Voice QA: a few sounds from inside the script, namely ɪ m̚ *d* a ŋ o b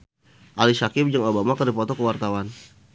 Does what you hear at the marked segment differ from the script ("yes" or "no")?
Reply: yes